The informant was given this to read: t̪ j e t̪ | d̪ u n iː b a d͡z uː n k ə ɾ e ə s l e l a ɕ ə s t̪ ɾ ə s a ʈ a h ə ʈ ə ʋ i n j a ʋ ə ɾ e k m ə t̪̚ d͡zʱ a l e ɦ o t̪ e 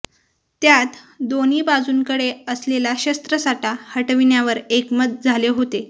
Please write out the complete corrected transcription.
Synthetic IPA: t̪ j a t̪ | d̪ o n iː b a d͡z uː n k ə ɽ e ə s l e l a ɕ ə s t̪ ɾ ə s a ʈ a h ə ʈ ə ʋ i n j a ʋ ə ɾ e k m ə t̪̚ d͡zʱ a l e ɦ o t̪ e